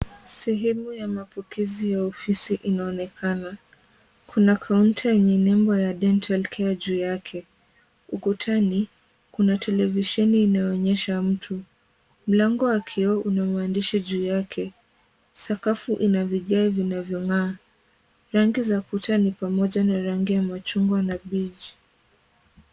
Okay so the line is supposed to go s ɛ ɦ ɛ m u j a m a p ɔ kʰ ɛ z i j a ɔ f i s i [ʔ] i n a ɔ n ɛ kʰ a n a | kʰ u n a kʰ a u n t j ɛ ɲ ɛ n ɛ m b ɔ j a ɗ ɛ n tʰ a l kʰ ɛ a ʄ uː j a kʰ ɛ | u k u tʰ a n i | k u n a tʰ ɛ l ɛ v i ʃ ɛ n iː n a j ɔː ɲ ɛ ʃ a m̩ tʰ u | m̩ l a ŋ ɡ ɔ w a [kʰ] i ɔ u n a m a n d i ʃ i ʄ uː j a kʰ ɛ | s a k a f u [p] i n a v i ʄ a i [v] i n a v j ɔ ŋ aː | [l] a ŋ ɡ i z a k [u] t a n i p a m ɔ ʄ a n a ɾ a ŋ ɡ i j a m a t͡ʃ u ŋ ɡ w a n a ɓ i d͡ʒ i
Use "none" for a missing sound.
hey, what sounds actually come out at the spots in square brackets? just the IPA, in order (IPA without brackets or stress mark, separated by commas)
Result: ʔ, kʰ, ʔ, v, ɾ, u